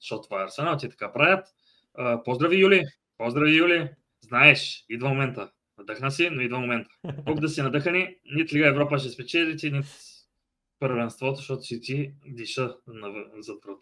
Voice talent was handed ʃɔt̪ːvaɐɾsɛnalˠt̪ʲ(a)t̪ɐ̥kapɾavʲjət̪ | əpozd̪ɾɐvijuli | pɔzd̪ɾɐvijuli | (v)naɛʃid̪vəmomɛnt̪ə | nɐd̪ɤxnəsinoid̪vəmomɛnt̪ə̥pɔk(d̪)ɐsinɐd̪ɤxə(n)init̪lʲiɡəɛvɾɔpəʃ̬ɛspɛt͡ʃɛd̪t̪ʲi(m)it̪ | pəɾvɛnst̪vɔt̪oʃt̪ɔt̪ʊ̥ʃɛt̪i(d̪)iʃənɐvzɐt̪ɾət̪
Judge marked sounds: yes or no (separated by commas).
no, no, yes, yes, no, yes